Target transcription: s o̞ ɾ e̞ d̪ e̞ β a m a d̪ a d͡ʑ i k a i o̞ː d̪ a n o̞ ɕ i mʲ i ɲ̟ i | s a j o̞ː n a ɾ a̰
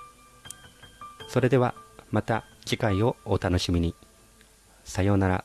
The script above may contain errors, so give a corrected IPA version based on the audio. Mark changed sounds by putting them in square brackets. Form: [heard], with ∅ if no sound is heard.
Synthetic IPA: s o̞ ɾ e̞ d̪ e̞ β a m a [t̪] a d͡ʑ i k a i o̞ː [t̪] a n o̞ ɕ i mʲ i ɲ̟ i | s a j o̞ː n a ɾ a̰